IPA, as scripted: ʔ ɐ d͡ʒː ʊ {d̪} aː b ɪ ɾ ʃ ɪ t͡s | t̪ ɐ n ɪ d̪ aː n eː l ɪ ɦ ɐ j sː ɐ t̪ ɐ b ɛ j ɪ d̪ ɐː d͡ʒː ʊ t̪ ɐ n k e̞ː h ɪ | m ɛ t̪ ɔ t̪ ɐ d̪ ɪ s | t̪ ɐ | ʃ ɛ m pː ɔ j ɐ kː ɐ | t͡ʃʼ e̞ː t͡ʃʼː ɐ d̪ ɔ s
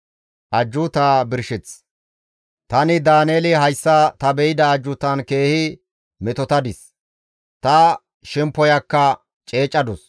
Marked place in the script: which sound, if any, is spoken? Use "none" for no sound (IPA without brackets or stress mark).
t̪